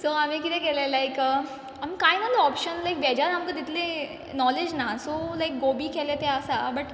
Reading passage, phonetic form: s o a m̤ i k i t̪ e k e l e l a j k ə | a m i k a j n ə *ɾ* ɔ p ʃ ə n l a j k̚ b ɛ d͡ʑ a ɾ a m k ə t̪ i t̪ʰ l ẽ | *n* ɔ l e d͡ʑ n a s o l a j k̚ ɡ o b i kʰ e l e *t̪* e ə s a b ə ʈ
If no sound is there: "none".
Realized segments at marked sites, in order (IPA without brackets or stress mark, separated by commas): l, n, t̪